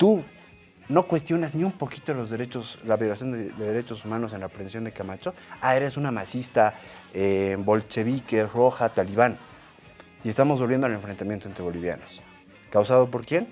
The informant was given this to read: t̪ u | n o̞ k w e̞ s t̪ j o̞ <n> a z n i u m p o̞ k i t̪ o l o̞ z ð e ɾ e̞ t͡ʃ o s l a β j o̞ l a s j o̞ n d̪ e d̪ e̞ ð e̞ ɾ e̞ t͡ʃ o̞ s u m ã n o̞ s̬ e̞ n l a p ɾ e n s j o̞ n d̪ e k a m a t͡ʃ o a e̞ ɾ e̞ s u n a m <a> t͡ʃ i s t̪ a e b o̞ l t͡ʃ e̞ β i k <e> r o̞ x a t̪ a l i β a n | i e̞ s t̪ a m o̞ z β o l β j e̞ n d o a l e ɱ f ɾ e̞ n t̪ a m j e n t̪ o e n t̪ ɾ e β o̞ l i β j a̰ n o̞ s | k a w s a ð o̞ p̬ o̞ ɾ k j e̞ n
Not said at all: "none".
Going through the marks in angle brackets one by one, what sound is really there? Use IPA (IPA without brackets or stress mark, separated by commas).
n, a, e